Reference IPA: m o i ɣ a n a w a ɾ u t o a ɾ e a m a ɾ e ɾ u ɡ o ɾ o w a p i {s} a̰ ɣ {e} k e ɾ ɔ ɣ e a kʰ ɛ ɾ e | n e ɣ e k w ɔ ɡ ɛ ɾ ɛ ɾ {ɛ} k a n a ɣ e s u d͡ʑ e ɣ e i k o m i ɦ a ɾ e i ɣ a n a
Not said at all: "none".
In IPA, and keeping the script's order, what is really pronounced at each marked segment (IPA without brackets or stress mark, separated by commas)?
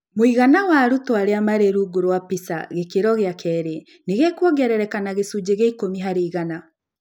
s, e, ɛ